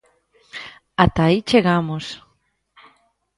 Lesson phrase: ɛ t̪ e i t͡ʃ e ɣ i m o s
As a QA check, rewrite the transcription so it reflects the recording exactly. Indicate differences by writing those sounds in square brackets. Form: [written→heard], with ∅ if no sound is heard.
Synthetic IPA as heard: [ɛ→a] t̪ [e→a] i t͡ʃ e ɣ [i→a] m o s